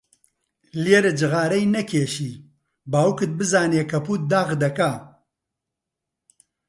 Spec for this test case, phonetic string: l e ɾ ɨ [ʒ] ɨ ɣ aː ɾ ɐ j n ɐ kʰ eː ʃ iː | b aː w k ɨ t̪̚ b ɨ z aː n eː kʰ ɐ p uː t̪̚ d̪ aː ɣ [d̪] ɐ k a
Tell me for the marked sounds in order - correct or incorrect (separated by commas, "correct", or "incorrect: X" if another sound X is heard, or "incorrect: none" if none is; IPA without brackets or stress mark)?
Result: incorrect: d͡ʒ, correct